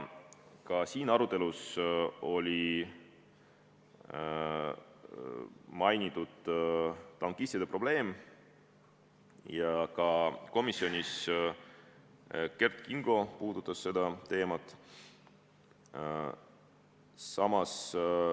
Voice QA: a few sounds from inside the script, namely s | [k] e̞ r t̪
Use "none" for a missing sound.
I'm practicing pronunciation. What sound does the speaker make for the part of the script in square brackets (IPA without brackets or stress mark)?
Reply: k